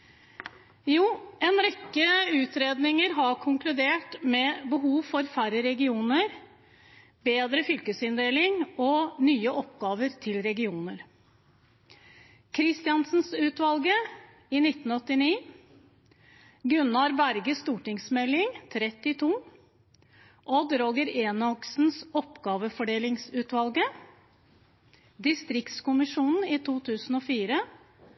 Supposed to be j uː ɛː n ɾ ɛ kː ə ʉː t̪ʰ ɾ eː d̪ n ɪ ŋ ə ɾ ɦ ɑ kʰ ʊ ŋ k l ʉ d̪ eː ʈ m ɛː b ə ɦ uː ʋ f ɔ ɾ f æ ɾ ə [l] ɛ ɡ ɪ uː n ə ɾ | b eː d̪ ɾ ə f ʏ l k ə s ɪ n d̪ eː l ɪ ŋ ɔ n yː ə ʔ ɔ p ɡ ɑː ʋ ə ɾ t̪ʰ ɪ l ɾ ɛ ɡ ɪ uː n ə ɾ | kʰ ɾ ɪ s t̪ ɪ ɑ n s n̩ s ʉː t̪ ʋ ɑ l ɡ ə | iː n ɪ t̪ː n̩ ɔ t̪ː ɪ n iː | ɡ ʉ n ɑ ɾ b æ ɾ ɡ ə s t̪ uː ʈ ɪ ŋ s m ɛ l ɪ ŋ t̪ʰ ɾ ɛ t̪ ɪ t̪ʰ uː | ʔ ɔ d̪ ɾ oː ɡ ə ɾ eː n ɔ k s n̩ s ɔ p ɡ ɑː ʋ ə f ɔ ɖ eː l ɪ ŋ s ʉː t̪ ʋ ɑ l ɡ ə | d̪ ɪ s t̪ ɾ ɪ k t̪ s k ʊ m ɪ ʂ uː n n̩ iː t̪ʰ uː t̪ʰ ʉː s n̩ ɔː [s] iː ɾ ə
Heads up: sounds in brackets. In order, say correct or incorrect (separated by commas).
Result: incorrect, incorrect